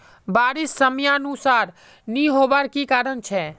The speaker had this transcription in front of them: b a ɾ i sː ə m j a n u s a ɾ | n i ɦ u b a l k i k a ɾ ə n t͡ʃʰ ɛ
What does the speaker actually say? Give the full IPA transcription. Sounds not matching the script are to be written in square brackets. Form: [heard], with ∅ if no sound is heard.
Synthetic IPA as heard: b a ɾ i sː ə m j a n u s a ɾ | n i ɦ [o] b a [ɾ] k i k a ɾ ə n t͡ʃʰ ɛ